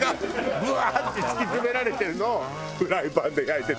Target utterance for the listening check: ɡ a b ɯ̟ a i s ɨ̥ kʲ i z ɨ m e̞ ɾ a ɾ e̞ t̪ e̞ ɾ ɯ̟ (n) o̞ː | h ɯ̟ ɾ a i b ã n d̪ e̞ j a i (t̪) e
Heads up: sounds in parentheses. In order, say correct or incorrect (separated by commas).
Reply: correct, correct